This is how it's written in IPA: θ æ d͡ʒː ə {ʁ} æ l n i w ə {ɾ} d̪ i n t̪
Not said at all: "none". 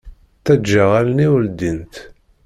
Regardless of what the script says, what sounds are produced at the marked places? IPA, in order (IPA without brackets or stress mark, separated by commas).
ʁ, l